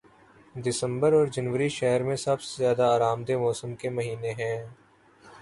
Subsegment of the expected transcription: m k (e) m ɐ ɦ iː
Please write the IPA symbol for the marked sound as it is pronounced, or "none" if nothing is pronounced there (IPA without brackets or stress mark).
e